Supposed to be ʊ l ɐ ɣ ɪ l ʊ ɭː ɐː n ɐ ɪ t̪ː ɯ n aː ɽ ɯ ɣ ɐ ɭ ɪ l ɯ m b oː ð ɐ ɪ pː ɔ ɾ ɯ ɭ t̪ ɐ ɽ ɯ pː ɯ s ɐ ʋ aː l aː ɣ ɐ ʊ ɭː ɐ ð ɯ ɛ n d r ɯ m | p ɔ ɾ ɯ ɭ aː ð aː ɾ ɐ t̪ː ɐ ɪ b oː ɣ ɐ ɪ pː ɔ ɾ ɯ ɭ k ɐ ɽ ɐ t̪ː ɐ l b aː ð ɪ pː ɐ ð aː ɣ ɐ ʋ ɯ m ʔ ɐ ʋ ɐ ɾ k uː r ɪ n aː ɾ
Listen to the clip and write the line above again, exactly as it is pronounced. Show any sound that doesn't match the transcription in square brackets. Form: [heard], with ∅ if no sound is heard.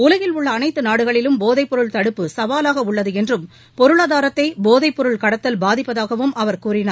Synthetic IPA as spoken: ʊ l ɐ ɣ ɪ l ʊ ɭː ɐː n ɐ ɪ t̪ː ɯ n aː ɽ ɯ ɣ ɐ ɭ ɪ l ɯ m b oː ð ɐ ɪ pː ɔ ɾ ɯ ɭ t̪ ɐ ɽ ɯ pː ɯ s ɐ ʋ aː l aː ɣ ɐ ʊ ɭː ɐ ð ɯ ɛ n d r ɯ m | p ɔ ɾ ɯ ɭ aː ð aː ɾ ɐ t̪ː ɐ ɪ b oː [ð] ɐ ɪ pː ɔ ɾ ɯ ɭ k ɐ ɽ ɐ t̪ː ɐ l b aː ð ɪ pː ɐ ð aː ɣ ɐ ʋ ɯ m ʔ ɐ ʋ ɐ ɾ k uː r ɪ n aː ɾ